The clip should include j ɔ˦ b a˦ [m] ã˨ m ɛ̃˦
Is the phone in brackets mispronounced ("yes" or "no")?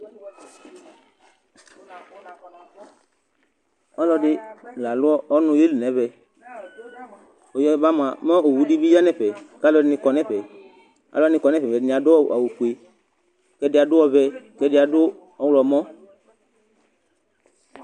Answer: no